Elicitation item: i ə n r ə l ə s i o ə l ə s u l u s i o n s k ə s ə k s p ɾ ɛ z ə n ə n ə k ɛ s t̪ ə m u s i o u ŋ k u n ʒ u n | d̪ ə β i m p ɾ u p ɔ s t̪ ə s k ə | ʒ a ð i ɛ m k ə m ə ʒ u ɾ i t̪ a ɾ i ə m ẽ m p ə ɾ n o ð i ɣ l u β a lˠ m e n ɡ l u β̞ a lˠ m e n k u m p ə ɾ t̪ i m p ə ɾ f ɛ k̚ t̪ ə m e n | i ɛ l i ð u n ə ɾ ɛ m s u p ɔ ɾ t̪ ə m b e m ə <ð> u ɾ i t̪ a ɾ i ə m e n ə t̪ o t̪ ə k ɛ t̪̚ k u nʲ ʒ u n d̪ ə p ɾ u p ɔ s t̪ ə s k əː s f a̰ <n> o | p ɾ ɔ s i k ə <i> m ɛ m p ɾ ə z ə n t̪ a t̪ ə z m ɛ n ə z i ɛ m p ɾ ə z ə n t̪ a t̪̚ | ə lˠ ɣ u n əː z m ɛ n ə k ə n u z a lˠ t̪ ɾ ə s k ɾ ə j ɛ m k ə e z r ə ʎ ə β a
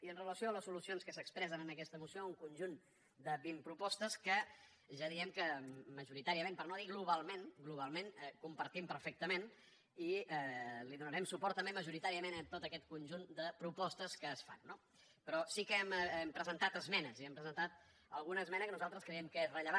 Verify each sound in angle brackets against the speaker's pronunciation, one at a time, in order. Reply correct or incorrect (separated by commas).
incorrect, incorrect, incorrect